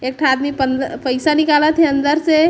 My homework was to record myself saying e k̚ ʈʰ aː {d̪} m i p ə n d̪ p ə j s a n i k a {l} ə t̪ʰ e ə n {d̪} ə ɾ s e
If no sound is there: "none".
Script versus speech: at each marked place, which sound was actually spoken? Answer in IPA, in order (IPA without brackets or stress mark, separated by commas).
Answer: d̪, l, d̪